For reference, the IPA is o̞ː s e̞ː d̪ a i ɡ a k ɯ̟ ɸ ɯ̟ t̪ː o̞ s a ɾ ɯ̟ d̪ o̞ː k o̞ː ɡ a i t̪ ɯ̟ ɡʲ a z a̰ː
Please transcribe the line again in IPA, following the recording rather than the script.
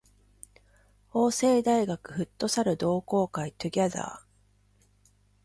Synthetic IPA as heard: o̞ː s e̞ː d̪ a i ɡ a k ɯ̟ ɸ ɯ̟ t̪ː o̞ s a ɾ ɯ̟ d̪ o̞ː k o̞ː k a i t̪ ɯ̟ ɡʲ a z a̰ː